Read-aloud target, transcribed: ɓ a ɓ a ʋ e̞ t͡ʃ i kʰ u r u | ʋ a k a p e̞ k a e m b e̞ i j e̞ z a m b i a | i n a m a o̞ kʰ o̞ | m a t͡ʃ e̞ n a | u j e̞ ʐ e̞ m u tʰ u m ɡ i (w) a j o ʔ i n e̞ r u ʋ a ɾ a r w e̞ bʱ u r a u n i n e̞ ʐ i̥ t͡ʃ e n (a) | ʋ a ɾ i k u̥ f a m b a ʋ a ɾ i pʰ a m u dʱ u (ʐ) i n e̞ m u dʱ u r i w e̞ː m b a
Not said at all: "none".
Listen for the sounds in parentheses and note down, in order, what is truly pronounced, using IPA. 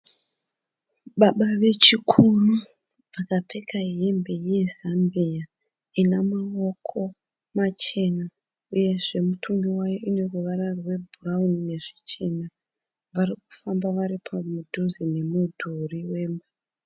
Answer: w, a, z

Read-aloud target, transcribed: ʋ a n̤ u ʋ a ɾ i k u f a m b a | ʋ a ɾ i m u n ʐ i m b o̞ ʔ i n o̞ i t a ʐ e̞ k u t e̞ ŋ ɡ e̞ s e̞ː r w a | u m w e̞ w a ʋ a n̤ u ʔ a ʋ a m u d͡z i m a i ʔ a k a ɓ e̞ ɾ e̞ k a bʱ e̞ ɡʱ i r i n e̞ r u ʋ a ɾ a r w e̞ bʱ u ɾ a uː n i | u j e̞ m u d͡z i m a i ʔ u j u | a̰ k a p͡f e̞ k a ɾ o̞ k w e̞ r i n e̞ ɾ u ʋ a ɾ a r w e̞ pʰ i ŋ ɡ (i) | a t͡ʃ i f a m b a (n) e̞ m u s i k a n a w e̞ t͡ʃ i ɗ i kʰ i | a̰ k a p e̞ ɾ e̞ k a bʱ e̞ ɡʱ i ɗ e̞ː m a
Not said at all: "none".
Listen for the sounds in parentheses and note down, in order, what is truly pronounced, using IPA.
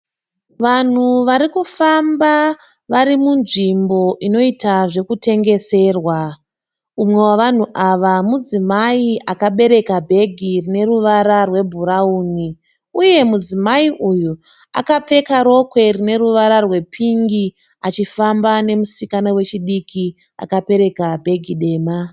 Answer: i, n

